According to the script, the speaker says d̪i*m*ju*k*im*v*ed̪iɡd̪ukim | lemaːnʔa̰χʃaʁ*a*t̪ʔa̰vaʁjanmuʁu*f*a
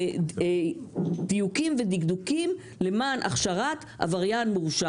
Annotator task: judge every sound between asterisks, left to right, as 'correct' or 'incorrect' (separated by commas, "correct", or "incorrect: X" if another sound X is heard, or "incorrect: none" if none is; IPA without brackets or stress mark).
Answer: incorrect: none, correct, correct, correct, incorrect: ʃ